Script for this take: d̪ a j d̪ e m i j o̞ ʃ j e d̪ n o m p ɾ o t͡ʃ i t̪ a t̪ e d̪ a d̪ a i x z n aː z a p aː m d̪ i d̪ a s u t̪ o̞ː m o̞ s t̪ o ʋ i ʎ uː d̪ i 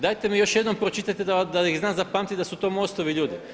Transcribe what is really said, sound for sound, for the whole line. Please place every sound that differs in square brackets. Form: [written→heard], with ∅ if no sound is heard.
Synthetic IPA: d̪ a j [d̪→t̪] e m i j o̞ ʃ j e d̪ n o m p ɾ o t͡ʃ i t̪ a t̪ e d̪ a d̪ a i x z n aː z a p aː m [d̪→t̪] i d̪ a s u t̪ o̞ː m o̞ s t̪ o ʋ i ʎ uː d̪ i